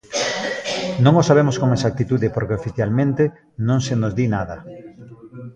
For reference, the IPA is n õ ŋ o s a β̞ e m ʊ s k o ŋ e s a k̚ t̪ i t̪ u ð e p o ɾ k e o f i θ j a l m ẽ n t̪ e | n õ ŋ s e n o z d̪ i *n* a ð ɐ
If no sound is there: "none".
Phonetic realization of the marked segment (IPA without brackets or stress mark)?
n